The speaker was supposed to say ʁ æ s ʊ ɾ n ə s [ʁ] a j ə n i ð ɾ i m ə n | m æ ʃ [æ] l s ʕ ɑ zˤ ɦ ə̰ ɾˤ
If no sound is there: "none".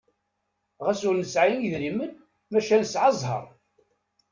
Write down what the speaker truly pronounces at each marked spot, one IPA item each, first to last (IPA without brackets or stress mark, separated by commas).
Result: ʕ, æ